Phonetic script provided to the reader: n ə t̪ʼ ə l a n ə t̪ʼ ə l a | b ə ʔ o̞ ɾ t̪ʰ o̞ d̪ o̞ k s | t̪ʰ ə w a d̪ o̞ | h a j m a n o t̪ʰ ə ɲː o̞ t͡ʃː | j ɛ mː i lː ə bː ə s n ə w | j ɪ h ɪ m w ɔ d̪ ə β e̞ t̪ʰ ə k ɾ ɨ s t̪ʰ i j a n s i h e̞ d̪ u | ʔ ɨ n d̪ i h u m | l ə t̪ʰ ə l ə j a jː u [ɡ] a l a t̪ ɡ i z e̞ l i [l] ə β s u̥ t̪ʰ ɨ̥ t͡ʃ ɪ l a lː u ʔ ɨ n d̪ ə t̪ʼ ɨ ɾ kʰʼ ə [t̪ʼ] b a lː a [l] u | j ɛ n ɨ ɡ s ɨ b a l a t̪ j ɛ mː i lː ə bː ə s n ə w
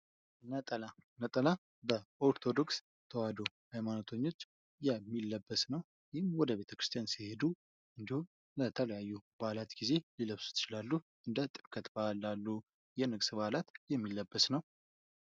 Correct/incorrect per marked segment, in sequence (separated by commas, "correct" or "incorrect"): incorrect, correct, incorrect, incorrect